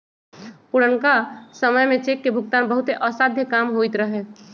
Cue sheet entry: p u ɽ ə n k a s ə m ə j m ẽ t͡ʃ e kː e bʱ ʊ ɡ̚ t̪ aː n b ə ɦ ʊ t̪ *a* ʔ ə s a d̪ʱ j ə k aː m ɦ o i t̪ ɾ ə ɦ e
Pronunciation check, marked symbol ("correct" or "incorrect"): incorrect